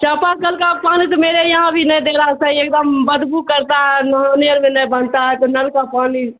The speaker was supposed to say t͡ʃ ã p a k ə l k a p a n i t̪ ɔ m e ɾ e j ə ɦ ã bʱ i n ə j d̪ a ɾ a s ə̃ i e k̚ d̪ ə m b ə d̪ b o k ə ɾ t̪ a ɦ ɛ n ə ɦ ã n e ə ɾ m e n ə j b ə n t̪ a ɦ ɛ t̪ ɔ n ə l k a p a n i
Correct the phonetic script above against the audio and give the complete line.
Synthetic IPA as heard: t͡ʃ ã p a k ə l k a p a n i t̪ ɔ m e ɾ e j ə ɦ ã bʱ i n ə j d̪ e ɾ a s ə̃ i e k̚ d̪ ə m b ə d̪ b u k ə ɾ t̪ a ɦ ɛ n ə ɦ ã n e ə ɾ m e n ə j b ə n t̪ a ɦ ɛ t̪ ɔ n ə l k a p a n i